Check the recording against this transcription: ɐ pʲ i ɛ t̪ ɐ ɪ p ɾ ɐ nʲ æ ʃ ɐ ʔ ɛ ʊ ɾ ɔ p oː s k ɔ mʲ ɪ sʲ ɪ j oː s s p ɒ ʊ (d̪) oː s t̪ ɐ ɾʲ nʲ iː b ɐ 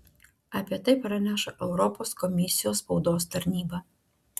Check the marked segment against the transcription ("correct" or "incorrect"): correct